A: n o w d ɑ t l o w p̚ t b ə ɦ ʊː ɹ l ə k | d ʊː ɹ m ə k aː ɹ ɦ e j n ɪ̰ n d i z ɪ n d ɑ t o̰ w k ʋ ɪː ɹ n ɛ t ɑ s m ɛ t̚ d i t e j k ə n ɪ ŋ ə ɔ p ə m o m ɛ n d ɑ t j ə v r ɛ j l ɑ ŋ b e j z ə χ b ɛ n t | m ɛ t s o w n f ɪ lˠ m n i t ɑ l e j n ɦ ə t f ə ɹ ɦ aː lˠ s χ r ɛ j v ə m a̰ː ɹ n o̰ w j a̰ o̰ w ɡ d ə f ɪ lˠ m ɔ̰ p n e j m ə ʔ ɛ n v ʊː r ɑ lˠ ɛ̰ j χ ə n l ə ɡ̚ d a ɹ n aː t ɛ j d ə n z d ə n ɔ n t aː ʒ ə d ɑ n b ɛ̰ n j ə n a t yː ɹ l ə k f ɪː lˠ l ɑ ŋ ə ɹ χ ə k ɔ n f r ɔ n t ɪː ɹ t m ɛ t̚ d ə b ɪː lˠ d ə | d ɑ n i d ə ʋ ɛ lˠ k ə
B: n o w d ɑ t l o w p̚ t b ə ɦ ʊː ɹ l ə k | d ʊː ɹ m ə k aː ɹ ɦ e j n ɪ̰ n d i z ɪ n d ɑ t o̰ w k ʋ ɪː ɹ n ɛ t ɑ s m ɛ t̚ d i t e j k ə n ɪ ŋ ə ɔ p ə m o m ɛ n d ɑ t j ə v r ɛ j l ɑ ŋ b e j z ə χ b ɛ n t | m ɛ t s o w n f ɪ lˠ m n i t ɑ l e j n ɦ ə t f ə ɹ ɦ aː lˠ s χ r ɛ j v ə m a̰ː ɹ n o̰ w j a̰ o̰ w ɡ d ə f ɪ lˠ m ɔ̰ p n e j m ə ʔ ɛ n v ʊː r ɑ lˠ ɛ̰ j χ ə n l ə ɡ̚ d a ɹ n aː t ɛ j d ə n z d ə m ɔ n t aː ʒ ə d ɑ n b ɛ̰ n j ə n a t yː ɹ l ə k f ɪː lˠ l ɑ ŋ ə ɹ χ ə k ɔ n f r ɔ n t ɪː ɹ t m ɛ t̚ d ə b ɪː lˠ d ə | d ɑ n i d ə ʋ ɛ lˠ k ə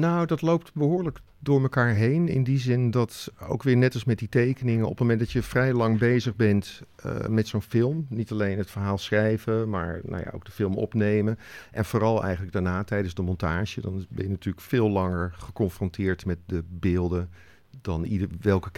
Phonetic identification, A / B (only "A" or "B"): B